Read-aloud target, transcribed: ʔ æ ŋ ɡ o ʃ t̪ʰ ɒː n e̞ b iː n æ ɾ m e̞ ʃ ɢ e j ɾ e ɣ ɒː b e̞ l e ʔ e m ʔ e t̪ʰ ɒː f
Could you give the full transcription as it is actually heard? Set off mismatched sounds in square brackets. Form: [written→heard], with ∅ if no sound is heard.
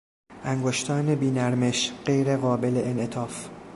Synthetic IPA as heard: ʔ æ ŋ ɡ o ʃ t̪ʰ ɒː n e̞ b iː n æ ɾ m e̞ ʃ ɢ e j ɾ e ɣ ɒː b e̞ l e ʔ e [m→n] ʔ e t̪ʰ ɒː f